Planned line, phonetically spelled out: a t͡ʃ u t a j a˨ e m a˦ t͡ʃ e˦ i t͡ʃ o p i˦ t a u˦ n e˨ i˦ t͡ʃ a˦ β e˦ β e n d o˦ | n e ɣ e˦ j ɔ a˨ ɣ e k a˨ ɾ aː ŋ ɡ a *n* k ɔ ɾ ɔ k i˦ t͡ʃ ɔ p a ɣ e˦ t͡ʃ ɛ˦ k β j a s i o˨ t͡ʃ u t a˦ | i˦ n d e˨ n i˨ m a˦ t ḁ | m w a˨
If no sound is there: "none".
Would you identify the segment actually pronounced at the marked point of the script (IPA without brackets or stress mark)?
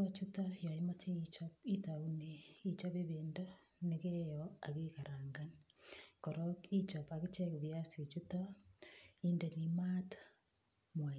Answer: n